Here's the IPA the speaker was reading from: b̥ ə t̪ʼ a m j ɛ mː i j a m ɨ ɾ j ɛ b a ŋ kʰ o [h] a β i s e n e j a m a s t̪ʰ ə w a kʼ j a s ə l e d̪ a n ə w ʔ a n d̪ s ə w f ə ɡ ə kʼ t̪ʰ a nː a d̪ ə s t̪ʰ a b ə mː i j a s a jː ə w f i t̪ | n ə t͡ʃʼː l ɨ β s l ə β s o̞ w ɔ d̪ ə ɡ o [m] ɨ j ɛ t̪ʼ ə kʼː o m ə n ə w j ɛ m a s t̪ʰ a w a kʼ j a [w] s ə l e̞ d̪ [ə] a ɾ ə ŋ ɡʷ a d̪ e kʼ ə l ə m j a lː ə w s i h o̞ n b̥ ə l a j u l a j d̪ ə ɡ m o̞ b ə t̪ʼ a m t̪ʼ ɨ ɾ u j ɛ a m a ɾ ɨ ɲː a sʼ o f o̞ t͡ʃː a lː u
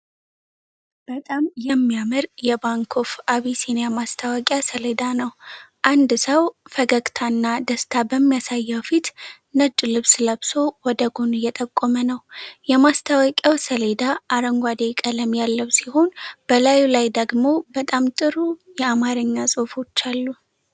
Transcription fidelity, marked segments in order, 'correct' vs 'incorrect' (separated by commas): incorrect, incorrect, correct, incorrect